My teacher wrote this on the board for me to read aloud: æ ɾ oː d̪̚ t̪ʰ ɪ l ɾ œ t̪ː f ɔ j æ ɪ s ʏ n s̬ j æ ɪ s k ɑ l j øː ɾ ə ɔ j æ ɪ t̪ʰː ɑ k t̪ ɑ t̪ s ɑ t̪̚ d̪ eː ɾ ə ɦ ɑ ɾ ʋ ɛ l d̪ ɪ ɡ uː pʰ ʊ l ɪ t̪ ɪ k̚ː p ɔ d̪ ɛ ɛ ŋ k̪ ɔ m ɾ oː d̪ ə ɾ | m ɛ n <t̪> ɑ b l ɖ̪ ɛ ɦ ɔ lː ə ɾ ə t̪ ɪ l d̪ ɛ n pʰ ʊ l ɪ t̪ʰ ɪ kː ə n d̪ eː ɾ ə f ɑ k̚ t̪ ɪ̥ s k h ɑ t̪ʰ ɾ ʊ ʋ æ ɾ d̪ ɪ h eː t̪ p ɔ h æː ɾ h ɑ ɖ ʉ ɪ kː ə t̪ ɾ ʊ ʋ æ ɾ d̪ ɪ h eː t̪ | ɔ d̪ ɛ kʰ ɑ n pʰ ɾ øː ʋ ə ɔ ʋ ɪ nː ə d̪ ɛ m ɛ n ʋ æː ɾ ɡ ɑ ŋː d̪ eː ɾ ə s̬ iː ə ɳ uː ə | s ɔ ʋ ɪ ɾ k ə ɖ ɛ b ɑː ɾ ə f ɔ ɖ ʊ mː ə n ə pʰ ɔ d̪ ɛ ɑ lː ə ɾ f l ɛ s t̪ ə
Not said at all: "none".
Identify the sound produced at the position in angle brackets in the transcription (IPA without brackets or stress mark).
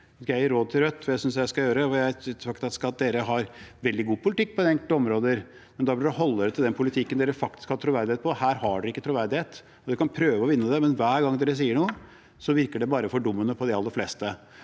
d̪